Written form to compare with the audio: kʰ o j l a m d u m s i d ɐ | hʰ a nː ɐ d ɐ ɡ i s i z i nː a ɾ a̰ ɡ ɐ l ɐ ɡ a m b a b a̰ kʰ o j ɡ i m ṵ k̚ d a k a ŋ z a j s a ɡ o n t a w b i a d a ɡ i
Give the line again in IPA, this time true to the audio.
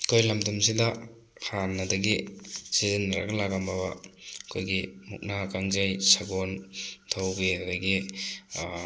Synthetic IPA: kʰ o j l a m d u m s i d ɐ | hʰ a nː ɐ d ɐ ɡ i s i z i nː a ɾ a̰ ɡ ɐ l a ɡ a m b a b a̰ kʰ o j ɡ i m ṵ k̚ n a k a ŋ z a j s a ɡ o n tʰ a w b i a d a ɡ i